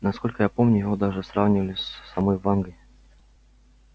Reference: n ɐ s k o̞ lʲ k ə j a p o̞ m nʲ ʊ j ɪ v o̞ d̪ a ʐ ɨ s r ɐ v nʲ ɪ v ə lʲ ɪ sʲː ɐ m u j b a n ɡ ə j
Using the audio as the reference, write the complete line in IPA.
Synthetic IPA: n ɐ s k o̞ lʲ k ə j a p o̞ m nʲ ʊ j ɪ v o̞ d̪ a ʐ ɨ s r a v nʲ ɪ v ə lʲ ɪ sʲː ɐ m o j v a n ɡ ə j